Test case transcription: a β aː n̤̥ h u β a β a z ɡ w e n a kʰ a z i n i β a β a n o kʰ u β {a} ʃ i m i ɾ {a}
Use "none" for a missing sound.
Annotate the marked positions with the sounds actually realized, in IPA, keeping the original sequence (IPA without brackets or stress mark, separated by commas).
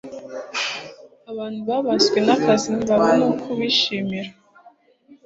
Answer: i, a